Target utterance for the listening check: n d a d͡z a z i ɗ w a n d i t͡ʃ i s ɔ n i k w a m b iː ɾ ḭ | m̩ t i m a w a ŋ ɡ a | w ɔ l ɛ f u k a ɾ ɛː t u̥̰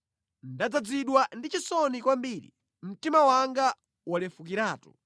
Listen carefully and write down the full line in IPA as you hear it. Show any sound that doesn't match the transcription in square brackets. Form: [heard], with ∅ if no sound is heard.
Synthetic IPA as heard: n d a d͡z a [d͡z] i ɗ w a n d i t͡ʃ i s ɔ n i k w a m b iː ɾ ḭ | m̩ t i m a w a ŋ ɡ a | w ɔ l ɛ f u k [i] ɾ [aː] t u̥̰